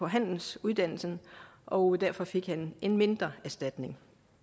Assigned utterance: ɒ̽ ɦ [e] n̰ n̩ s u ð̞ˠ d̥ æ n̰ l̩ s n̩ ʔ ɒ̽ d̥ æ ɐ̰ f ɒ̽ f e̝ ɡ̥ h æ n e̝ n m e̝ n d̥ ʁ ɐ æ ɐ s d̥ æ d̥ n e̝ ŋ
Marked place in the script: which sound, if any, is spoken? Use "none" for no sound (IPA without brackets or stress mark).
æ